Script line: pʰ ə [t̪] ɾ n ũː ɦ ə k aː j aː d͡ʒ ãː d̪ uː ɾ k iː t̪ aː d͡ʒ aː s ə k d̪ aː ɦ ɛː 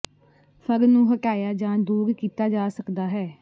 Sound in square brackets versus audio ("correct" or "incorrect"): incorrect